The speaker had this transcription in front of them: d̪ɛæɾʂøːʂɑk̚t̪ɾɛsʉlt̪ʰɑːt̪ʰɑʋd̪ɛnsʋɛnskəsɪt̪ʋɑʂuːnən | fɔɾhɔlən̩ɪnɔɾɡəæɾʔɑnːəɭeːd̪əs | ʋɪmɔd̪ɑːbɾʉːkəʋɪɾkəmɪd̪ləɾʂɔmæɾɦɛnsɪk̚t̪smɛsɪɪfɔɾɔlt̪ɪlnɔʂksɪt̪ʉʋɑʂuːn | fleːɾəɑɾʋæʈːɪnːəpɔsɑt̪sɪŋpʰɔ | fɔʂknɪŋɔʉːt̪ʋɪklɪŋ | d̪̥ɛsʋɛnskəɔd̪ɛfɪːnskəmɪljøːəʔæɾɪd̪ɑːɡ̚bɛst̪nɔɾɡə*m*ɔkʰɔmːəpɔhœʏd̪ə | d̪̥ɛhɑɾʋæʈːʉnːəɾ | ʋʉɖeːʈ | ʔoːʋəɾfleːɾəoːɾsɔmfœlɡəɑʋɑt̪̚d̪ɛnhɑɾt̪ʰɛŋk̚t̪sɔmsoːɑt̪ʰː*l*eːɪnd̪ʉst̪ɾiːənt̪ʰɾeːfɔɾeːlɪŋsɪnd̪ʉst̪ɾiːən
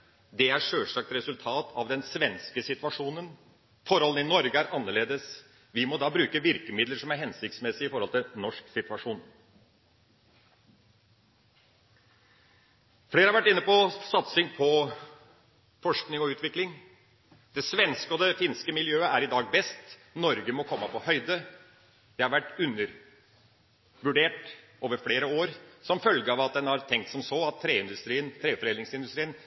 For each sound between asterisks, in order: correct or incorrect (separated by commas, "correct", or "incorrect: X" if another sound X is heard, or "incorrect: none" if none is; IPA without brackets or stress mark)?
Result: correct, incorrect: ɾ